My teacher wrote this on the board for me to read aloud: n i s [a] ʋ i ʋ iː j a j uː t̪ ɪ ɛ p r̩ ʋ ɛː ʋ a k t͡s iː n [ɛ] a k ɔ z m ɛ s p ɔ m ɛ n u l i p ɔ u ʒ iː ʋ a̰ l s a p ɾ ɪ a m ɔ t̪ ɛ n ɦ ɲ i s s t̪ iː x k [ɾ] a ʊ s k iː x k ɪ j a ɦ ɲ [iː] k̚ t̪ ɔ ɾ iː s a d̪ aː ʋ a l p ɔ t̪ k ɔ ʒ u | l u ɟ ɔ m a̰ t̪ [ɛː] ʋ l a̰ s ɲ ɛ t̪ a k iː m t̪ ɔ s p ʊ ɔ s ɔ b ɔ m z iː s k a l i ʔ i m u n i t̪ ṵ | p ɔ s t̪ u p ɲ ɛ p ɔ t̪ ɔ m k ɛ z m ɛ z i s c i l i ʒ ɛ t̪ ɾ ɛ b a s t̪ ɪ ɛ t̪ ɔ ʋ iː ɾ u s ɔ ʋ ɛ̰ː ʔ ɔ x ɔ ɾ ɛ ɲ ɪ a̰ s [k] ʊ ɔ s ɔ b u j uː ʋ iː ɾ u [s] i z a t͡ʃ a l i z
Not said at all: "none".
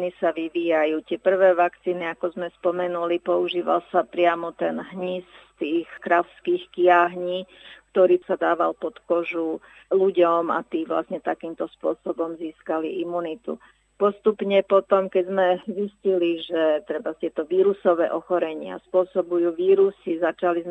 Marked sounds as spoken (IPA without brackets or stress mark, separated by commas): a, i, ɾ, iː, iː, p, s